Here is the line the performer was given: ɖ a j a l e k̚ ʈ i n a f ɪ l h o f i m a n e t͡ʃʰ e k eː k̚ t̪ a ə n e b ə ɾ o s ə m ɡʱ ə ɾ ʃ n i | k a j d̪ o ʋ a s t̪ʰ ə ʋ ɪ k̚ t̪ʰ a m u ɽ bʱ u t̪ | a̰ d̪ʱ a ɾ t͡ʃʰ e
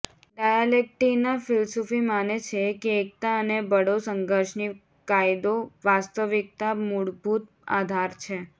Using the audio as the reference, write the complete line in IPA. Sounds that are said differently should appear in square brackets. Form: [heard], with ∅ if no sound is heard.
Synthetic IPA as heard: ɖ a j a l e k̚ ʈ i n a f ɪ l [s] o f i m a n e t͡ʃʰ e k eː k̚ t̪ a ə n e b ə [ɽ] o s ə [ŋ] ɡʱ ə ɾ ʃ n i | k a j d̪ o ʋ a s [t̪] ə ʋ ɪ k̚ [t̪] a m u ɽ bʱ u t̪ | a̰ d̪ʱ a ɾ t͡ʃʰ e

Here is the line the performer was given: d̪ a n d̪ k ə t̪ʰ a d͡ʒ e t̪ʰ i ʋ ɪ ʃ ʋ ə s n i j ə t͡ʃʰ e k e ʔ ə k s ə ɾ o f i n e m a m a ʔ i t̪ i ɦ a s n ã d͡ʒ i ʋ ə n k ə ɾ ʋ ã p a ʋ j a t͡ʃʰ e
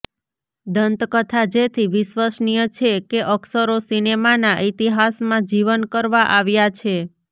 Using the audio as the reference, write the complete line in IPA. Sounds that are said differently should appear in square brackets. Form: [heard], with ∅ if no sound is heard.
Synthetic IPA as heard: d̪ [ə] n [t̪] k ə t̪ʰ a d͡ʒ e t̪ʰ i ʋ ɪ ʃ ʋ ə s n i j ə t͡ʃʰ e k e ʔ ə k s ə ɾ o [s] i n e m a [n] a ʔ i t̪ i ɦ a s [m] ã d͡ʒ i ʋ ə n k ə ɾ ʋ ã [ʔ] a ʋ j a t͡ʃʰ e

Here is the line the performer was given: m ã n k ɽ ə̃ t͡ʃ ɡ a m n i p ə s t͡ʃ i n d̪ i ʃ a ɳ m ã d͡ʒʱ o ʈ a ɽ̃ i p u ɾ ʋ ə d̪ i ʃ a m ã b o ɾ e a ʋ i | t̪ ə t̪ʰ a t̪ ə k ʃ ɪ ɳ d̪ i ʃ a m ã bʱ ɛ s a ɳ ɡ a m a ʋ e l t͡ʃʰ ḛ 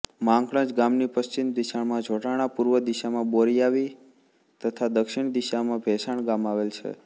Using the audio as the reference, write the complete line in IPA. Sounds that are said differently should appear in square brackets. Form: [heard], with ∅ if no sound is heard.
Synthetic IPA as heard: m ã [ŋ] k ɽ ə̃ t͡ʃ ɡ a m n i p ə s t͡ʃ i n d̪ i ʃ a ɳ m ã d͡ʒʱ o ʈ a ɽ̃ [a] p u ɾ ʋ ə d̪ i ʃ a m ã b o ɾ [i] a ʋ i | t̪ ə t̪ʰ a [d̪] ə k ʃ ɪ ɳ d̪ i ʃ a m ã bʱ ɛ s a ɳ ɡ a m a ʋ e l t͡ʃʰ ḛ

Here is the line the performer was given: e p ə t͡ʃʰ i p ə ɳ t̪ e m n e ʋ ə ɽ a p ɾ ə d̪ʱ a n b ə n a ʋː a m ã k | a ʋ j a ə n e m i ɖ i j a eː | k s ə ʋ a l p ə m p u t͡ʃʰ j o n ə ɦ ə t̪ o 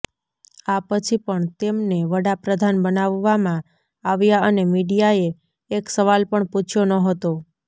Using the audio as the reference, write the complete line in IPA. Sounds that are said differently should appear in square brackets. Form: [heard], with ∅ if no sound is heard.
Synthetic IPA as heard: [a] p ə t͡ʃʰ i p ə ɳ t̪ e m n e ʋ ə ɽ a p ɾ ə d̪ʱ a n b ə n a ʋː a m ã [∅] | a ʋ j a ə n e m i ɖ i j a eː | k s ə ʋ a l p ə [ɳ] p u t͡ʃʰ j o n ə ɦ ə t̪ o

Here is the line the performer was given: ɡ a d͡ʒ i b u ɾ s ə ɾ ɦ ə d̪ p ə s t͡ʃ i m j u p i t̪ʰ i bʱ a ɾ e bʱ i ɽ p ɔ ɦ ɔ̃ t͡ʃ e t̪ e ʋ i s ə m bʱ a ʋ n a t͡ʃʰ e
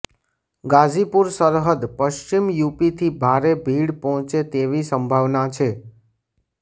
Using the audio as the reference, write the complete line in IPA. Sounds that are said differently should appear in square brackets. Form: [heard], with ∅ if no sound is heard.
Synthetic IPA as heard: ɡ a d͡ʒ i [p] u ɾ s ə ɾ ɦ ə d̪ p ə [ʃ] t͡ʃ i m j u p i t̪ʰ i bʱ a ɾ e bʱ i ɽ p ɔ ɦ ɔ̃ t͡ʃ e t̪ e ʋ i s ə m bʱ a ʋ n a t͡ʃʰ e

